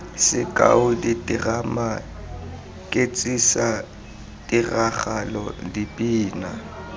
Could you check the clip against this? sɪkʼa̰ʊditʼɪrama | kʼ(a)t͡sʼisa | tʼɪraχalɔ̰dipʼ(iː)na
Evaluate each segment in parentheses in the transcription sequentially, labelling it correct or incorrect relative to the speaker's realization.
incorrect: e, correct

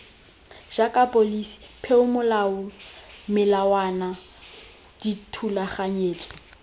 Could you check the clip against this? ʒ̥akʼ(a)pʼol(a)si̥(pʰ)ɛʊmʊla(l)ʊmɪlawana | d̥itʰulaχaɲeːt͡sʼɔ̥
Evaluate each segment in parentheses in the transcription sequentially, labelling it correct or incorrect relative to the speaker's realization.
correct, incorrect: i, correct, incorrect: none

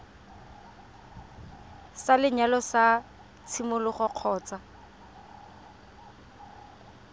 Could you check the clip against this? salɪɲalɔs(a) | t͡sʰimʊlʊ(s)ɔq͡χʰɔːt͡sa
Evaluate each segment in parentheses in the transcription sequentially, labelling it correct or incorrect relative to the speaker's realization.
correct, incorrect: χ

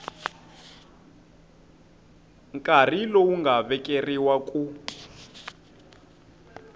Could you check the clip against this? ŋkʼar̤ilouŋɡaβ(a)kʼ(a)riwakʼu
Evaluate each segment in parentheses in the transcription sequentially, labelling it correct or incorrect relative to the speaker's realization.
incorrect: ɛ, incorrect: e

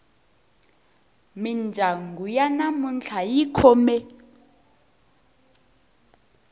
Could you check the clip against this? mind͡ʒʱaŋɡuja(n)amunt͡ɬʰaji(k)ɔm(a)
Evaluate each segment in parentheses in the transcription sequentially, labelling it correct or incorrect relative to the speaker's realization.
correct, incorrect: kʰ, incorrect: ɛ

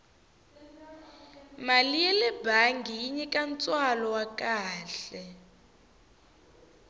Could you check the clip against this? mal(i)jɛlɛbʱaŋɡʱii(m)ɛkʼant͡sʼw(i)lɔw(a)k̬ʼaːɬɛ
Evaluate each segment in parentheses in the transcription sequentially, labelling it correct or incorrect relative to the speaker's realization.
correct, incorrect: ɲ, incorrect: a, correct

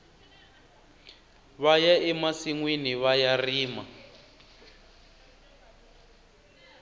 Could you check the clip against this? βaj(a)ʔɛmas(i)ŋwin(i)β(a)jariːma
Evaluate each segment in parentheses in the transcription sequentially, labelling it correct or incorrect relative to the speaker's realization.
correct, correct, correct, correct

